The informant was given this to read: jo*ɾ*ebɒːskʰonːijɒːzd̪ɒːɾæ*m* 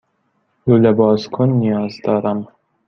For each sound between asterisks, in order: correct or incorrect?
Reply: incorrect, correct

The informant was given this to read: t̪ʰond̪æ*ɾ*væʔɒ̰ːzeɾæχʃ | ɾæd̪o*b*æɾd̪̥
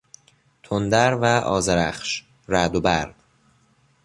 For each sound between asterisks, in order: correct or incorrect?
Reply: correct, correct

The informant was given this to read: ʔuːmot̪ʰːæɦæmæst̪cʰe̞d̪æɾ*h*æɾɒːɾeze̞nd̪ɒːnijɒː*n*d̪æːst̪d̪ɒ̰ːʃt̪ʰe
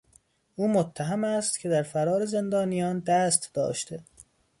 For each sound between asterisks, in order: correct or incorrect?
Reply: incorrect, correct

